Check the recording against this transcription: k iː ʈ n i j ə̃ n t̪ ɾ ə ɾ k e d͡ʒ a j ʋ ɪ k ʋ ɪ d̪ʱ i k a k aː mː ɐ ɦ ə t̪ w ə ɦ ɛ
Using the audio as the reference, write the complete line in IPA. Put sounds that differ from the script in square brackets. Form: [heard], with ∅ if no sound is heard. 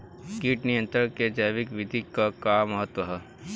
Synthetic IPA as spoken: k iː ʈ n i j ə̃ n t̪ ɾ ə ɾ k e d͡ʒ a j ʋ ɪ k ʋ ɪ d̪ʱ i k a k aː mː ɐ ɦ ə t̪ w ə ɦ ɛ

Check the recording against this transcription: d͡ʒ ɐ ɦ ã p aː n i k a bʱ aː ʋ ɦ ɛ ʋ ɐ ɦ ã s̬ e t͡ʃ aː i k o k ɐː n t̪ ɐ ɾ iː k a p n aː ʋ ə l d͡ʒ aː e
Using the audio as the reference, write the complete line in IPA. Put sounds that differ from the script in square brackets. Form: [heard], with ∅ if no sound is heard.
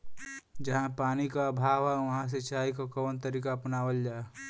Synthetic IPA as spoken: d͡ʒ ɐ ɦ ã p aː n i k a bʱ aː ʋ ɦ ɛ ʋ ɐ ɦ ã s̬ e t͡ʃ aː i k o k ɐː n t̪ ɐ ɾ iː k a p n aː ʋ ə l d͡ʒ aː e

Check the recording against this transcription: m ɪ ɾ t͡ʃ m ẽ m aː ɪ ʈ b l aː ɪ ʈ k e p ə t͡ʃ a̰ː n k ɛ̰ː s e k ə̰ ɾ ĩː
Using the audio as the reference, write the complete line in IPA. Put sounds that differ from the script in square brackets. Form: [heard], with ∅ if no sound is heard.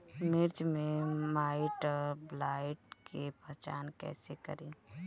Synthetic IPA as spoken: m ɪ ɾ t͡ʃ m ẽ m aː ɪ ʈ b l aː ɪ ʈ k e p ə t͡ʃ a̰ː n k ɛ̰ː s e k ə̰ ɾ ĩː

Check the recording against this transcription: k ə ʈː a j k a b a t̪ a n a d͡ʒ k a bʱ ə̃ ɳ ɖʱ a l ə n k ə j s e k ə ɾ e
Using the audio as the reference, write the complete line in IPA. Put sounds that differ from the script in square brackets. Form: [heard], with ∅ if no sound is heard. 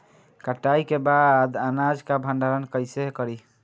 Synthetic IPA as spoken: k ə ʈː a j k [e] b a [d̪] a n a d͡ʒ k a bʱ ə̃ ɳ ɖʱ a [ɾ] ə n k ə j s e k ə ɾ [i]

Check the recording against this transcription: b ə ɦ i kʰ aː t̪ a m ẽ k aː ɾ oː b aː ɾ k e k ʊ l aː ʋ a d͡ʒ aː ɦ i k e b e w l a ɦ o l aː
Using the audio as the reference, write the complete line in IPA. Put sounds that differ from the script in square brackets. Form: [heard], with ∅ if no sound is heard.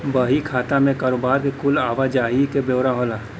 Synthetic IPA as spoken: b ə ɦ i kʰ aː t̪ a m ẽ k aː ɾ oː b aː ɾ k e k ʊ l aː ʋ a d͡ʒ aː ɦ i k e b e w [ɾ] a ɦ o l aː

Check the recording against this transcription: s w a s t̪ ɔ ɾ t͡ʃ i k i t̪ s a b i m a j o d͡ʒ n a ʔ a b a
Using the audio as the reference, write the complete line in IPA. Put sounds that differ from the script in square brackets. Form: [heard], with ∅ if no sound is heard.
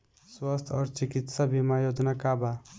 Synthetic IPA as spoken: s w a s [t̪ʰ] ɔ ɾ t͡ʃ i k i t̪ s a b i m a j o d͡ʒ n a [k] a b a

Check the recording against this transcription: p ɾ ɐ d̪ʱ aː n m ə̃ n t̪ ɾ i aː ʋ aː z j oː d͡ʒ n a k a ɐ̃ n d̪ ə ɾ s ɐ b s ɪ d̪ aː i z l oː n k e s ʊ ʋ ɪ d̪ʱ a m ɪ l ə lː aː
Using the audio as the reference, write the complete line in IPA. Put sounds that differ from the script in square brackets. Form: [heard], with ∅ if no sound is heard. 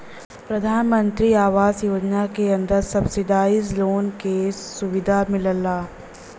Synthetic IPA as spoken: p ɾ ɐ d̪ʱ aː n m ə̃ n t̪ ɾ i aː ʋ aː z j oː d͡ʒ n a k [e] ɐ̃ n d̪ ə ɾ s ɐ b s ɪ d̪ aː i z l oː n k e s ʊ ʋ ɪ d̪ʱ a m ɪ l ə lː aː

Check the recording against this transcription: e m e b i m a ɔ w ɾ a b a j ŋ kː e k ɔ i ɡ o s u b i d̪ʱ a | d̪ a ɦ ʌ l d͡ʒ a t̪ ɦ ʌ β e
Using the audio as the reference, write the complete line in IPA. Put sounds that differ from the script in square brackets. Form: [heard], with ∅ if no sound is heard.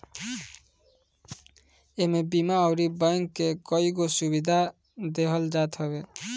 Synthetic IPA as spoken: e m e b i m a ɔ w ɾ [i] b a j ŋ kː e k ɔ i ɡ o s u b i d̪ʱ a | d̪ [e] ɦ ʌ l d͡ʒ a t̪ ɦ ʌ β e

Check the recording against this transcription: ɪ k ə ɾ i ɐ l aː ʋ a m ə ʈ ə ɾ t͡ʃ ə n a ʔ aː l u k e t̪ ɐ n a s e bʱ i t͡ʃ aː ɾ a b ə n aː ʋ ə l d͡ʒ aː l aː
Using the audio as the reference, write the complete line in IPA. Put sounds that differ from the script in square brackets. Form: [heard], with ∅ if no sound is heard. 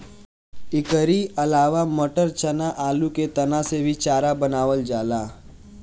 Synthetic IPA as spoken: ɪ k ə ɾ i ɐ l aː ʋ a m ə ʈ ə ɾ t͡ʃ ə n a ʔ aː l u k e t̪ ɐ n a s e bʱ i t͡ʃ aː ɾ a b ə n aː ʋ ə l d͡ʒ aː l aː

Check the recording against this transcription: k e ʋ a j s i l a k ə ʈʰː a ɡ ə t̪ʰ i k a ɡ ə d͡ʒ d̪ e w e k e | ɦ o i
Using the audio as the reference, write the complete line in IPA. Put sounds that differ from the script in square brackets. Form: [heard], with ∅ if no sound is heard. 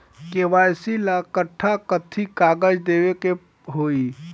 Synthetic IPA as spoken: k e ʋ a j s i l a k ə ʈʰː a [k] ə t̪ʰ i k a ɡ ə d͡ʒ d̪ e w e k e | ɦ o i

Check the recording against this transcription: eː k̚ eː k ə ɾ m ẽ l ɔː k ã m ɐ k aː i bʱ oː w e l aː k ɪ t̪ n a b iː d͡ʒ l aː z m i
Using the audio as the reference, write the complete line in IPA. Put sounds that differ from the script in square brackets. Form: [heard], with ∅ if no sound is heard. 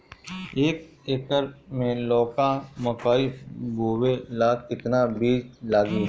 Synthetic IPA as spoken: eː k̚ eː k ə ɾ m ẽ l ɔː k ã m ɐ k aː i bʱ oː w e l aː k ɪ t̪ n a b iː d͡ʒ l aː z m i

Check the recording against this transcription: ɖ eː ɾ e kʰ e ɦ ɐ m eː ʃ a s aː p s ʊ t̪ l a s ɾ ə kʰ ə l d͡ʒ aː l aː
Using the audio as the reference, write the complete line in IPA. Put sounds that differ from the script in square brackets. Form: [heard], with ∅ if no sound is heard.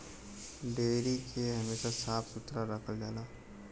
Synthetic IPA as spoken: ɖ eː ɾ [i] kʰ e ɦ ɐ m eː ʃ a s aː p s ʊ t̪ [ɾ] a [∅] ɾ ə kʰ ə l d͡ʒ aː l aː

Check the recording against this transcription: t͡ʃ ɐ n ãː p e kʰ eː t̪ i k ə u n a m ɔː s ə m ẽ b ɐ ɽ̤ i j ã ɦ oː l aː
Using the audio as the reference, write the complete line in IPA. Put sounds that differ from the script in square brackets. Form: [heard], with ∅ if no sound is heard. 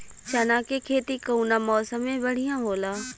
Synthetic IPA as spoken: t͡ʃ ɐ n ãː [k] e kʰ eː t̪ i k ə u n a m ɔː s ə m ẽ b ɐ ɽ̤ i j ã ɦ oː l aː

